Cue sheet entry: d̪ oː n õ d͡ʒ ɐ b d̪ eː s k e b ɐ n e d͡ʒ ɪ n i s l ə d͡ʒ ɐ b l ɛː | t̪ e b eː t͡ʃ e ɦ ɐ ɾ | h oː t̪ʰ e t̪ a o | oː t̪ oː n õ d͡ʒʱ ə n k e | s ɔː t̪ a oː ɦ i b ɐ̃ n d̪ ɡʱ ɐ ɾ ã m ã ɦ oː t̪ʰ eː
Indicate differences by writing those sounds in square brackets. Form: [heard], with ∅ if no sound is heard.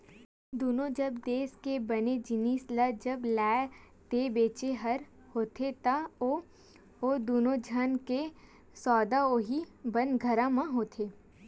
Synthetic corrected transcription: d̪ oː n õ d͡ʒ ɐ b d̪ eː s k e b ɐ n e d͡ʒ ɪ n i s l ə d͡ʒ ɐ b l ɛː | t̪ e b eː t͡ʃ e ɦ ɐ ɾ | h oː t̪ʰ e t̪ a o | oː [d̪] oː n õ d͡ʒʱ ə n k e | s ɔː [d̪] a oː ɦ i b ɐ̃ n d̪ ɡʱ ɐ ɾ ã m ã ɦ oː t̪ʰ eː